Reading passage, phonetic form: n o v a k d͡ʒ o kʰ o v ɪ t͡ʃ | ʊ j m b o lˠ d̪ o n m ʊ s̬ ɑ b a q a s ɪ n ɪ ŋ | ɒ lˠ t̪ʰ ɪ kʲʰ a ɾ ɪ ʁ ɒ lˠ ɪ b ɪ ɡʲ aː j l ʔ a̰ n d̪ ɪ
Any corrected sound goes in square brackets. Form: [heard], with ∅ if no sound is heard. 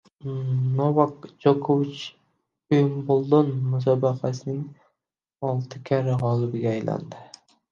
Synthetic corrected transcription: n o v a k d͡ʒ o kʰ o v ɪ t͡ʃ | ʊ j m b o lˠ d̪ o n m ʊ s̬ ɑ b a q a s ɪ n ɪ ŋ | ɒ lˠ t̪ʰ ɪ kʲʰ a ɾ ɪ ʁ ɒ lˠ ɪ b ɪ ɡʲ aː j l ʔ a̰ n d̪ ɪ